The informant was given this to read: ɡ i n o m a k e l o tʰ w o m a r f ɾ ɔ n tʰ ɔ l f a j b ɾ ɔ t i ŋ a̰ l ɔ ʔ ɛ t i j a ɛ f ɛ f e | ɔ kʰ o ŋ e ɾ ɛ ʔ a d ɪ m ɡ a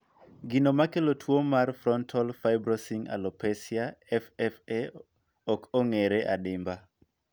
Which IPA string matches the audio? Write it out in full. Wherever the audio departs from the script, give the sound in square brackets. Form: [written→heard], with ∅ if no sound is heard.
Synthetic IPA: ɡ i n o m a k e l o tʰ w o m a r f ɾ ɔ n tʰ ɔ l f a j b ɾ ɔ [t→s] i ŋ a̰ l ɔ [ʔ→p] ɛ [t→s] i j a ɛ f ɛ f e | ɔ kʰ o ŋ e ɾ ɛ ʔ a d ɪ m [ɡ→b] a